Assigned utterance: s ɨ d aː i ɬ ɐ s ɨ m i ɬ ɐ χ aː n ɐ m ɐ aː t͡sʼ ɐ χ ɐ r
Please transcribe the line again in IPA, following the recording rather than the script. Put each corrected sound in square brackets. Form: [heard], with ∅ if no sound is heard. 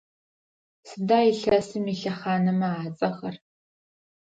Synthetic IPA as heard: s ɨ d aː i ɬ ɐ s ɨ m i ɬ ɐ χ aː n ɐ m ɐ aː t͡sʼ ɐ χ ɐ r

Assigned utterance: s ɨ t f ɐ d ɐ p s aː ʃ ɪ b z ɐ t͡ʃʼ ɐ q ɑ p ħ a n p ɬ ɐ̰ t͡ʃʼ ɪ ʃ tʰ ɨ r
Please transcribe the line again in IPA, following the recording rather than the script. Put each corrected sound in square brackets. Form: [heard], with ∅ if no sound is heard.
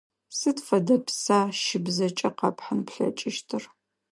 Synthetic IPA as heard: s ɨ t f ɐ d ɐ p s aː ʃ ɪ b z ɐ t͡ʃʼ ɐ q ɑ p ħ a n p ɬ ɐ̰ t͡ʃʼ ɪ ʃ tʰ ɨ r

